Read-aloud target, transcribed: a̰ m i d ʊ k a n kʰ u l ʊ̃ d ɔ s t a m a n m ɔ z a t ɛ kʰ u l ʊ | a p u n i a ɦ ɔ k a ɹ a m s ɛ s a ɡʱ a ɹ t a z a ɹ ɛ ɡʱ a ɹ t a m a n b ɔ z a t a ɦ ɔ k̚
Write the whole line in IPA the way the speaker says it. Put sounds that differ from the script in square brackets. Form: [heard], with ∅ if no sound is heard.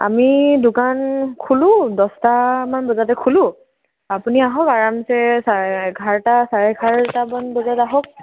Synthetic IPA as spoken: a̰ m i d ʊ k a n kʰ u l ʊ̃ d ɔ s t a m a n [b] ɔ z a t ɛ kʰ u l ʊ | a p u n i a ɦ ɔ k a ɹ a m s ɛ s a ɡʱ a ɹ t a [s] a ɹ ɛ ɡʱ a ɹ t a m a n b ɔ z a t a ɦ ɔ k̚

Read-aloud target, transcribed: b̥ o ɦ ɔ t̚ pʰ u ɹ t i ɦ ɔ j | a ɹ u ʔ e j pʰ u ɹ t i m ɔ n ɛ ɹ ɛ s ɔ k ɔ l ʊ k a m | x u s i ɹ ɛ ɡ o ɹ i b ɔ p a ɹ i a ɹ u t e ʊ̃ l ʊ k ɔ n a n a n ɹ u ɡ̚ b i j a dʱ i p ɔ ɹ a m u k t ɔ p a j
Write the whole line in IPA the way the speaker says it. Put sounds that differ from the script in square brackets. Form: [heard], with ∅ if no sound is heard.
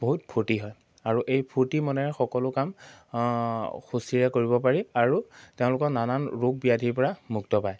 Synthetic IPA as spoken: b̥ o ɦ [u] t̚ pʰ u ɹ t i ɦ ɔ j | a ɹ u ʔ e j pʰ u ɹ t i m ɔ n ɛ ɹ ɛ [x] ɔ k ɔ l ʊ k a m | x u s i ɹ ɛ [k] o ɹ i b ɔ p a ɹ i a ɹ u t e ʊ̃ l ʊ k ɔ n a n a n ɹ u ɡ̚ b i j a dʱ i p ɔ ɹ a m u k t ɔ p a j

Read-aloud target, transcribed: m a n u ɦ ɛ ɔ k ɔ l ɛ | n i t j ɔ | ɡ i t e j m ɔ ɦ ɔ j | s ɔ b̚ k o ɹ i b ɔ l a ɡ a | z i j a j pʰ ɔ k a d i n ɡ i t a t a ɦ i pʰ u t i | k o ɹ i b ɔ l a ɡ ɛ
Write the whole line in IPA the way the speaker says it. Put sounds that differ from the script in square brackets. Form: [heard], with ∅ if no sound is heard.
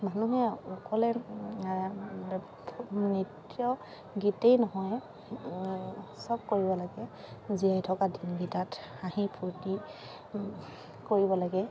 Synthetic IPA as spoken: m a n u ɦ ɛ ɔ k ɔ l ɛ | n i t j ɔ | ɡ i t e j [n] ɔ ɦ ɔ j | s ɔ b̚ k o ɹ i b ɔ l a ɡ [ɛ] | z i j a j [tʰ] ɔ k a d i n ɡ i t a t a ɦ i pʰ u t i | k o ɹ i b ɔ l a ɡ ɛ

